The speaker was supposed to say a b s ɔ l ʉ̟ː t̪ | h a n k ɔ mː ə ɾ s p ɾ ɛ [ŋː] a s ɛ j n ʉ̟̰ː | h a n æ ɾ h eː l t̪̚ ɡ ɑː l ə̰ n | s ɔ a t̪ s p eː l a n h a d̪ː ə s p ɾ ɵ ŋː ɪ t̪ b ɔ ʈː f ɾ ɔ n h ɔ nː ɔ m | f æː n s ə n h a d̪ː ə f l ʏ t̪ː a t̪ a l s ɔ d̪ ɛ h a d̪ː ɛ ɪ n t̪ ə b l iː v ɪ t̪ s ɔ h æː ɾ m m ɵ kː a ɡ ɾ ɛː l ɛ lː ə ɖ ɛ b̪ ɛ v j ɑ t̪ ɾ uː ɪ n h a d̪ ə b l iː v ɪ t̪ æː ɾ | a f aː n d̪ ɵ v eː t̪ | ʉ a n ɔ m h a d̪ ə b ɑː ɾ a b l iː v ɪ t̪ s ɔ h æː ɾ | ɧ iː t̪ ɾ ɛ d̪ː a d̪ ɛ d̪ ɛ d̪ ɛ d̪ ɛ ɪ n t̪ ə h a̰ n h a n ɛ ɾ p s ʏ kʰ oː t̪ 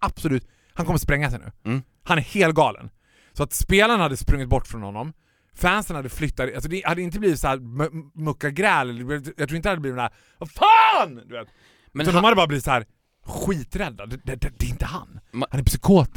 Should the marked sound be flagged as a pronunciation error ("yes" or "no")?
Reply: no